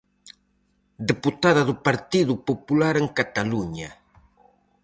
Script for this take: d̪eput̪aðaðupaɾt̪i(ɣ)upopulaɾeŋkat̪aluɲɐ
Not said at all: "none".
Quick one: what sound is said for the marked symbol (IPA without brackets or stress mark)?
ð